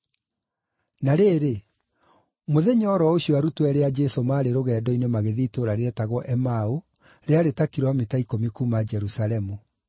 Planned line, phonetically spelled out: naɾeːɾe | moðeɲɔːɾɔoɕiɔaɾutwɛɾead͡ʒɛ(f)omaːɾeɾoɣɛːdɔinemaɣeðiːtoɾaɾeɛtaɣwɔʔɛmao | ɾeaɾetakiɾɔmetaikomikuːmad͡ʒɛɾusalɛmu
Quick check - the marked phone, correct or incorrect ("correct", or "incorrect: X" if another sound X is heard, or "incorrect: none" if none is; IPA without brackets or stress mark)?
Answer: incorrect: s